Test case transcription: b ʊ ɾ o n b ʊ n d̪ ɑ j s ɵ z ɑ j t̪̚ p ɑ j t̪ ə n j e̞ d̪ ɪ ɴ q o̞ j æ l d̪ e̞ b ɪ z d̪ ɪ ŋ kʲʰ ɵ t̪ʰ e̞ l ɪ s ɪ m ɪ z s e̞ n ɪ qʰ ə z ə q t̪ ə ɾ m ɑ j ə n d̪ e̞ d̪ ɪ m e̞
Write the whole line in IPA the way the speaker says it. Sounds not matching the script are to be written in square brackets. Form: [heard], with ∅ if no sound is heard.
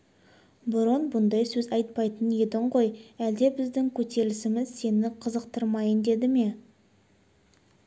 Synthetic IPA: b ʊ ɾ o n b ʊ n d̪ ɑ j s ɵ z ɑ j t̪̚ p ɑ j t̪ ə n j e̞ d̪ ɪ ɴ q o̞ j æ l d̪ e̞ b ɪ z d̪ ɪ ŋ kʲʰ ɵ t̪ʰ e̞ l ɪ s ɪ m ɪ z s e̞ n ɪ qʰ ə z ə q t̪ ə ɾ m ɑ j ə n d̪ e̞ d̪ ɪ m e̞

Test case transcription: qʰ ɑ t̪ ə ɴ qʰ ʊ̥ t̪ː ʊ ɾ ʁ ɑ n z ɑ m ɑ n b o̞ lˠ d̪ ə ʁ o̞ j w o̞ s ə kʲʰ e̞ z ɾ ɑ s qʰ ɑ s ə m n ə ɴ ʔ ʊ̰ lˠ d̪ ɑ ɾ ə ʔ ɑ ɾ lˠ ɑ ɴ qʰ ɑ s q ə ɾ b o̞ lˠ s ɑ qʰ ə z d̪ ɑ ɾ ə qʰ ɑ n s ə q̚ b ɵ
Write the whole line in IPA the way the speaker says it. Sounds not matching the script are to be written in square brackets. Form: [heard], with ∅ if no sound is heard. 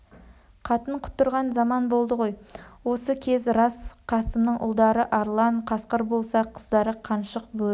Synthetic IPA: qʰ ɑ t̪ ə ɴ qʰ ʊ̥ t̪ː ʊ ɾ ʁ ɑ n z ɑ m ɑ n b o̞ lˠ d̪ ə ʁ o̞ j w o̞ s ə kʲʰ e̞ z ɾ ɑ s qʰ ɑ s ə m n ə ɴ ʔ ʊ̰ lˠ d̪ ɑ ɾ ə ʔ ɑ ɾ lˠ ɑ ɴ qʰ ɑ s q ə ɾ b o̞ lˠ s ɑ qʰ ə z d̪ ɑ ɾ ə qʰ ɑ n [ʃ] ə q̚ b ɵ

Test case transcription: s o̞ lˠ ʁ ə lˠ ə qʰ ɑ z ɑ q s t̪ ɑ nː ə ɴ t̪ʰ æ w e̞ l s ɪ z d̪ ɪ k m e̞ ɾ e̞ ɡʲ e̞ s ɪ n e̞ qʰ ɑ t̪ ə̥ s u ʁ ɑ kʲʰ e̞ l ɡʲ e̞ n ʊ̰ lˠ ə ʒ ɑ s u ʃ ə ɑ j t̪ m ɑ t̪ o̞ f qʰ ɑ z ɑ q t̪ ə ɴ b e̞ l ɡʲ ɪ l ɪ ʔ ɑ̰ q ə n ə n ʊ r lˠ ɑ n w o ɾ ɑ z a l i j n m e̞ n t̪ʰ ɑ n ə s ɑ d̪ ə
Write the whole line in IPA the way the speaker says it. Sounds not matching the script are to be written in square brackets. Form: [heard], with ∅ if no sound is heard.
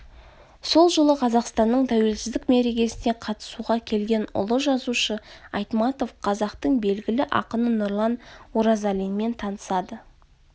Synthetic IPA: s o̞ lˠ [ʒ] ə lˠ ə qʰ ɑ z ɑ q s t̪ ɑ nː ə ɴ t̪ʰ æ w e̞ l s ɪ z d̪ ɪ k m e̞ ɾ e̞ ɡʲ e̞ s ɪ n e̞ qʰ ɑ t̪ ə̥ s u ʁ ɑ kʲʰ e̞ l ɡʲ e̞ n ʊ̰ lˠ ə ʒ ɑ [z] u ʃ ə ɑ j t̪ m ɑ t̪ o̞ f qʰ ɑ z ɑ q t̪ ə ɴ b e̞ l ɡʲ ɪ l ɪ ʔ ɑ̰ q ə n ə n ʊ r lˠ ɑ n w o ɾ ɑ z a l i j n m e̞ n t̪ʰ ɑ n ə s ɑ d̪ ə

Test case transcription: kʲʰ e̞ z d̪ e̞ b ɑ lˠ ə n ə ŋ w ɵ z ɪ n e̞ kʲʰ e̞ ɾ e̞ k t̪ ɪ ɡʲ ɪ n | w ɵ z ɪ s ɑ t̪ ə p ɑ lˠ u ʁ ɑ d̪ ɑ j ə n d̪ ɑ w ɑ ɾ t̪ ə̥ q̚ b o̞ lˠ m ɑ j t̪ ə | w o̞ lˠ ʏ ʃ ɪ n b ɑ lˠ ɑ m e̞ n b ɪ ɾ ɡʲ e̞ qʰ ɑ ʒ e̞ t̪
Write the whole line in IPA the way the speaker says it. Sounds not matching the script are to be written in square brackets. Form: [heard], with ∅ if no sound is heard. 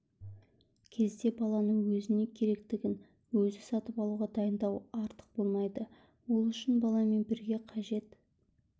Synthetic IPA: kʲʰ e̞ z d̪ e̞ b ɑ lˠ [ɑ] n ə ŋ w ɵ z ɪ n e̞ kʲʰ e̞ ɾ e̞ k t̪ ɪ ɡʲ ɪ n | w ɵ z ɪ s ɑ t̪ ə p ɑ lˠ u ʁ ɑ d̪ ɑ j ə n d̪ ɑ w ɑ ɾ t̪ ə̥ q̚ b o̞ lˠ m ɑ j [d̪] ə | w o̞ lˠ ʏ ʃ ɪ n b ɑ lˠ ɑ m e̞ n b ɪ ɾ ɡʲ e̞ qʰ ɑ ʒ e̞ t̪

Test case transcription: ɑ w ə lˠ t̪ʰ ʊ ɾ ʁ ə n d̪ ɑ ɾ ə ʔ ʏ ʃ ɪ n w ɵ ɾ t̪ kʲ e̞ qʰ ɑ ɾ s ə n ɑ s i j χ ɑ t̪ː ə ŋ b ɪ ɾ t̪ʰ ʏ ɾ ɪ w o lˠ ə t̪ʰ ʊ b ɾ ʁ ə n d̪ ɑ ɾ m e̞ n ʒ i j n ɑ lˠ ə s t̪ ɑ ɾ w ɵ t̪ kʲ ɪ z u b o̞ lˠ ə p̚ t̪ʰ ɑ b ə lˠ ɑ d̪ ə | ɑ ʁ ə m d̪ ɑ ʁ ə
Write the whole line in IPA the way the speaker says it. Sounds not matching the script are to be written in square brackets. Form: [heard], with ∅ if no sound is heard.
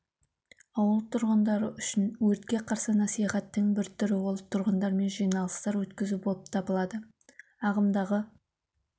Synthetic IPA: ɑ w ə lˠ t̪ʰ ʊ ɾ ʁ ə n d̪ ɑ ɾ ə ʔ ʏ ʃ ɪ n w ɵ ɾ t̪ kʲ e̞ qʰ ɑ ɾ s ə n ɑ s i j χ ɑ t̪ː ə ŋ b ɪ ɾ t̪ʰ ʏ ɾ ɪ w o lˠ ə t̪ʰ ʊ [∅] ɾ ʁ ə n d̪ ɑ ɾ m e̞ n ʒ i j n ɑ lˠ ə s t̪ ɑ ɾ w ɵ t̪ kʲ ɪ z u b o̞ lˠ ə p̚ t̪ʰ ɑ b ə lˠ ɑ d̪ ə | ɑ ʁ ə m d̪ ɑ ʁ ə

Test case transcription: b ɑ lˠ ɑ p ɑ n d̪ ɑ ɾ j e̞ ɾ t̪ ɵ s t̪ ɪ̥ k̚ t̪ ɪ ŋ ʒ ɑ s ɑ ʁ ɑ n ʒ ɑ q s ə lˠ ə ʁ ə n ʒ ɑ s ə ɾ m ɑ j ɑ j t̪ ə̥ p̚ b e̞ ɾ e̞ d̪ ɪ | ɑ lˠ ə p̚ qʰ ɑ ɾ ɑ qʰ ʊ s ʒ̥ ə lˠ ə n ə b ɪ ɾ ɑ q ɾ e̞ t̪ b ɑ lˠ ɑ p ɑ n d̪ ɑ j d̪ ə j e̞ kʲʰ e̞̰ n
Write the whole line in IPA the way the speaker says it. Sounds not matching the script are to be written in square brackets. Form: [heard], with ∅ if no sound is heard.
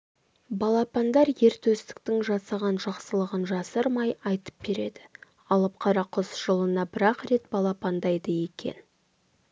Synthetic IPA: b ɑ lˠ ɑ p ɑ n d̪ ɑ ɾ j e̞ ɾ t̪ ɵ s t̪ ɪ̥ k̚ t̪ ɪ ŋ ʒ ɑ s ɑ ʁ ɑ n ʒ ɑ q s ə lˠ ə ʁ ə n ʒ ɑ s ə ɾ m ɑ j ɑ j t̪ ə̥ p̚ b e̞ ɾ e̞ d̪ ɪ | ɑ lˠ ə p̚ qʰ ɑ ɾ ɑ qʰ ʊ s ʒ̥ ə lˠ ə n [ɑ] b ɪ ɾ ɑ q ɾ e̞ t̪ b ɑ lˠ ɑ p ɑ n d̪ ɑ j d̪ ə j e̞ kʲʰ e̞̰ n

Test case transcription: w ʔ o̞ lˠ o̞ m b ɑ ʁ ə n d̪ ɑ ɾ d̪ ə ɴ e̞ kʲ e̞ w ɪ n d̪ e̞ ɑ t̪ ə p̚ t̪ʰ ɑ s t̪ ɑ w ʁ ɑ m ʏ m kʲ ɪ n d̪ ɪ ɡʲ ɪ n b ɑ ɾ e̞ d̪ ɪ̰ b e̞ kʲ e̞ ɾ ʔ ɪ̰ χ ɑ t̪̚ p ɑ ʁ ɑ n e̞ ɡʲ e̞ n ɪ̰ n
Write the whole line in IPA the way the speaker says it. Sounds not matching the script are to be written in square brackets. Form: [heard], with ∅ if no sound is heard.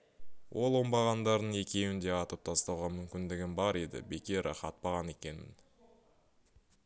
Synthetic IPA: w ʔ o̞ lˠ o̞ m b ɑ ʁ [ɑ] n d̪ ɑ ɾ d̪ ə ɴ e̞ kʲ e̞ w ɪ n d̪ e̞ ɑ t̪ ə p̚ t̪ʰ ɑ s t̪ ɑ w ʁ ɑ m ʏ m kʲ ɪ n d̪ ɪ ɡʲ ɪ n b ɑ ɾ e̞ d̪ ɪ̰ b e̞ kʲ e̞ ɾ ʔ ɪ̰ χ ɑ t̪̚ p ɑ ʁ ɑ n e̞ [kʲ] e̞ n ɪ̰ n

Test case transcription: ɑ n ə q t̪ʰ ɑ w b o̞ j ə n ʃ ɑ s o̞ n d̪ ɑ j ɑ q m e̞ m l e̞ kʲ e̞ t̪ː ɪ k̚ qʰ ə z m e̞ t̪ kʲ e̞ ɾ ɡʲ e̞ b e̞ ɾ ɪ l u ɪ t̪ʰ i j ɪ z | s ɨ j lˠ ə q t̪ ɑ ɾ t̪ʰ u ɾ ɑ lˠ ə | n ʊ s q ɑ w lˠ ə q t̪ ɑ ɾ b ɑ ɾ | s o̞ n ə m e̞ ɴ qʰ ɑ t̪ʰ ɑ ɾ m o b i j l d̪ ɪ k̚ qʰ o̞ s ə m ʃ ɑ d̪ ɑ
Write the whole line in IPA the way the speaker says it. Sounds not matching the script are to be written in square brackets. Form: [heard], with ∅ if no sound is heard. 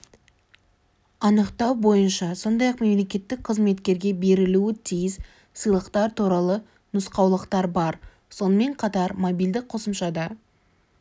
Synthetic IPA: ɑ n ə q [t̪] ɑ w b o̞ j ə n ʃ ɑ s o̞ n d̪ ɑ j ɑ q m e̞ m l e̞ kʲ e̞ t̪ː ɪ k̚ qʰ ə z m e̞ t̪ kʲ e̞ ɾ ɡʲ e̞ b e̞ ɾ ɪ l u ɪ t̪ʰ i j ɪ z | s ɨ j lˠ ə q t̪ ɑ ɾ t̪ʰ u ɾ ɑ lˠ ə | n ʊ s q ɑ w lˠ ə q t̪ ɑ ɾ b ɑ ɾ | s o̞ n ə m e̞ ɴ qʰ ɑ [t̪] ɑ ɾ m o b i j l d̪ ɪ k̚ qʰ o̞ s ə m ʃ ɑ d̪ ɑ

